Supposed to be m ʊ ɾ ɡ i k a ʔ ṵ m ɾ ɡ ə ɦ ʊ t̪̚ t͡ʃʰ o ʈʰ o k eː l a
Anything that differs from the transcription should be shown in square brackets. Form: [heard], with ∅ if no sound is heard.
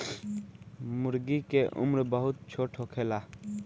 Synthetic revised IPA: m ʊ ɾ ɡ i k [e] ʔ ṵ m ɾ [b] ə ɦ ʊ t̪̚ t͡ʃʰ o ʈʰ o [kʰ] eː l a